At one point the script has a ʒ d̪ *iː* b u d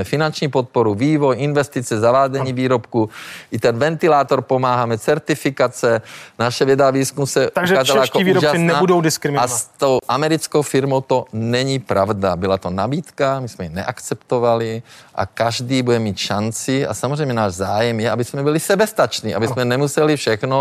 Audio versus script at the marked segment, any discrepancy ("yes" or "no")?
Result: no